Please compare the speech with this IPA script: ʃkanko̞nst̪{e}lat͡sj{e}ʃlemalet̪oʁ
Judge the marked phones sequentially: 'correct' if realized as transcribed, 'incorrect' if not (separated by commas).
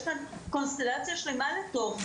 correct, incorrect